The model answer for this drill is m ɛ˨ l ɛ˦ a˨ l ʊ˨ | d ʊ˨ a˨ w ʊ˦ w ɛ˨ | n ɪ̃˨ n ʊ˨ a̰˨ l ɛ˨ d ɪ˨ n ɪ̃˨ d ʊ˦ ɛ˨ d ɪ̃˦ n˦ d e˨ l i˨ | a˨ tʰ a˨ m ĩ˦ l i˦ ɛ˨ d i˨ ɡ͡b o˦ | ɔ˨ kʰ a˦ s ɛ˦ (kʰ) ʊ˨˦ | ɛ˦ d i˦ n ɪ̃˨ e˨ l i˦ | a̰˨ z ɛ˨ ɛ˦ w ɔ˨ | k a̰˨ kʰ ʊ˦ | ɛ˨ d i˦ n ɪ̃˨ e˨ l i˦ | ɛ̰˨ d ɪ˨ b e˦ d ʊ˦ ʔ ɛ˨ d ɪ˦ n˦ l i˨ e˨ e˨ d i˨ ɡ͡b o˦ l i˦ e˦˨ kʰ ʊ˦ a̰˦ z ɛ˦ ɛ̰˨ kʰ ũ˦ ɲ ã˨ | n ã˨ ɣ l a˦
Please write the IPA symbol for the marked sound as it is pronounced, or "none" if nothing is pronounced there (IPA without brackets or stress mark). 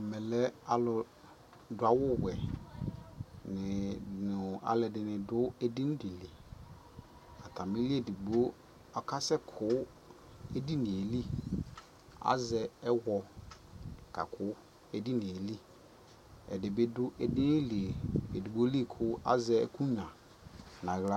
kʰ